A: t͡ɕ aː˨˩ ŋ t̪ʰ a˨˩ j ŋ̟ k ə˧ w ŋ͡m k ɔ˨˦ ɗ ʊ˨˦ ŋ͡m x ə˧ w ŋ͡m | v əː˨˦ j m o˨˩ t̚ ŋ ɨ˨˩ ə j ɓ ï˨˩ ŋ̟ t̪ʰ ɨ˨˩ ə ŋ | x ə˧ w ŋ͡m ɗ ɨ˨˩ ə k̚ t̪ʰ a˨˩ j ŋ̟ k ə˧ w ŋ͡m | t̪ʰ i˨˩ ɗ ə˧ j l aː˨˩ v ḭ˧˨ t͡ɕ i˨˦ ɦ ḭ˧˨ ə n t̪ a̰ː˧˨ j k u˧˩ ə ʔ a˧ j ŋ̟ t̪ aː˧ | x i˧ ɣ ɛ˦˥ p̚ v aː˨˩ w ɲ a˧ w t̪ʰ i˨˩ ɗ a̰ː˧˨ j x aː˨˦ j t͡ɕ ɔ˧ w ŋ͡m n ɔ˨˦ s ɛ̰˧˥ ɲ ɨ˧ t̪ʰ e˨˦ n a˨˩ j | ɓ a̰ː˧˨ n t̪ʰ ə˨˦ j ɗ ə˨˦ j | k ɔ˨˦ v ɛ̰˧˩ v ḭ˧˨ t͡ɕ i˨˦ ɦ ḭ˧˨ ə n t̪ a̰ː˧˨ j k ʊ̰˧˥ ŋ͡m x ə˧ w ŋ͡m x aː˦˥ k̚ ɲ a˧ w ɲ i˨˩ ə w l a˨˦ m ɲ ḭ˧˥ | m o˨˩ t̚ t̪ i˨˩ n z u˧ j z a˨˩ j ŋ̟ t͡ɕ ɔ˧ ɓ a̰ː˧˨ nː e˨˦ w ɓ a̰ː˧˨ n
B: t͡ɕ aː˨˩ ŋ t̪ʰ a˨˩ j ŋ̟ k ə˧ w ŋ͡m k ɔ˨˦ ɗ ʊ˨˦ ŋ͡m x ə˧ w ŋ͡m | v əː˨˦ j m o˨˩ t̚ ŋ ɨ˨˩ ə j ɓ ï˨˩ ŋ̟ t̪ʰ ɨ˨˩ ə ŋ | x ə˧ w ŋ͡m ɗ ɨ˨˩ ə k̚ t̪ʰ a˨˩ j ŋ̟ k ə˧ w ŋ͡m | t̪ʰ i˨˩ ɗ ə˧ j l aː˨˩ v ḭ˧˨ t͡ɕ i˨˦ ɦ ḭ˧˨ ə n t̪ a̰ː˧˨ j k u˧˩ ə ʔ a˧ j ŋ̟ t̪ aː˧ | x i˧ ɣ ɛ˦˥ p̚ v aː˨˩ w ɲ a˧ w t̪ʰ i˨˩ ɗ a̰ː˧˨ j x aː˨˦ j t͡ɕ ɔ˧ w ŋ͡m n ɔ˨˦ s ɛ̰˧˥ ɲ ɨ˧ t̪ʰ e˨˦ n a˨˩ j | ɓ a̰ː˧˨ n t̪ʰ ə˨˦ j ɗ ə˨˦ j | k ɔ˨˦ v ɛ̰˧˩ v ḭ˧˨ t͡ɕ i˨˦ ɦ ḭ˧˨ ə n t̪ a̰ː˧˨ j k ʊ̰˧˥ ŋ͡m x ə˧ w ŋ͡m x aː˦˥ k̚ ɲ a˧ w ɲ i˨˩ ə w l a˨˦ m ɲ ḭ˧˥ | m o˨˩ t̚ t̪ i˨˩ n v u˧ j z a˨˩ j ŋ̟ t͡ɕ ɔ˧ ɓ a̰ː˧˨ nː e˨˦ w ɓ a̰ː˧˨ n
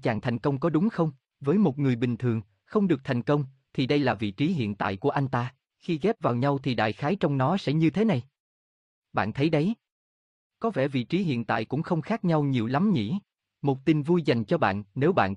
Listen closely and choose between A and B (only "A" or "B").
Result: B